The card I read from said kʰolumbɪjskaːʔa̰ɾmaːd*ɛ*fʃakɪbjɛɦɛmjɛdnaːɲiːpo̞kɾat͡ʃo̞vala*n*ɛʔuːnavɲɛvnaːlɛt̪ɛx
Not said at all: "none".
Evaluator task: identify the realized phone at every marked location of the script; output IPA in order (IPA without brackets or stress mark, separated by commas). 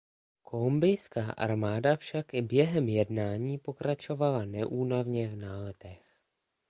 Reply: a, n